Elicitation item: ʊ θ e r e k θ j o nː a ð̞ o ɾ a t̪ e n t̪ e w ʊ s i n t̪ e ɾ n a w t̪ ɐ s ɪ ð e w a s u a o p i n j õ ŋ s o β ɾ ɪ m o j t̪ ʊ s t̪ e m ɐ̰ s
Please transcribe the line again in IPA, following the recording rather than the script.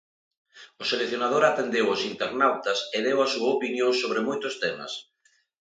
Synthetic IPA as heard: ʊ s e l e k θ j o n a ð̞ o ɾ a t̪ e n d̪ e w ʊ s i n t̪ e ɾ n a w t̪ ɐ s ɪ ð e w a s u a o p i n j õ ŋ s o β ɾ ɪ m o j t̪ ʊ s t̪ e m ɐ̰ s